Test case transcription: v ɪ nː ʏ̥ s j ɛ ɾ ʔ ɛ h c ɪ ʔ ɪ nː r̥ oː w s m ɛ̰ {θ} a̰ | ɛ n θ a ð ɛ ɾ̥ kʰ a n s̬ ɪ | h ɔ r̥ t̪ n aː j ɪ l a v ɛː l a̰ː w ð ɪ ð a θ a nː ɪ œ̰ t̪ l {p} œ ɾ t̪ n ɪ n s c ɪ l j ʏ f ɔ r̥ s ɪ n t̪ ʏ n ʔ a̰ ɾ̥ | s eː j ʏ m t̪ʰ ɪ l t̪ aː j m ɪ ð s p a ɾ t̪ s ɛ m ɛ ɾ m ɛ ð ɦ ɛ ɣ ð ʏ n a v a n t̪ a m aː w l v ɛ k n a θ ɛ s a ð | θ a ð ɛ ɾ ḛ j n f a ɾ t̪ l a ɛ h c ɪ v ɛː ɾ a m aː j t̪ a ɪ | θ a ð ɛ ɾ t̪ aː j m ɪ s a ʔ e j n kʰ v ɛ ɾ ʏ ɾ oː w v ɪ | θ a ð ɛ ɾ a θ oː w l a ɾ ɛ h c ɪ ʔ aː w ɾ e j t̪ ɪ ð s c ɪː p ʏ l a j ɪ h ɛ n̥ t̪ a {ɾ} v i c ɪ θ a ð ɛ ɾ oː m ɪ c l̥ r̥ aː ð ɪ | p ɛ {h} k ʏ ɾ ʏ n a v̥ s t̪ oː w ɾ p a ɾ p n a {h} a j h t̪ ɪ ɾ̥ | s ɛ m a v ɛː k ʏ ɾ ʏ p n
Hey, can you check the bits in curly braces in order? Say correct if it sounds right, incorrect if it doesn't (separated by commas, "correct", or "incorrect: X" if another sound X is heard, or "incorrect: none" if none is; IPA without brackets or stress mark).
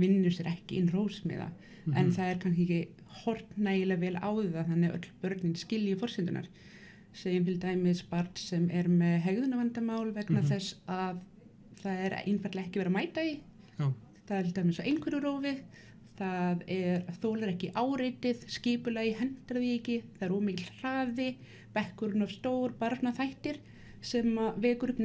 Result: incorrect: ð, correct, correct, correct, incorrect: θ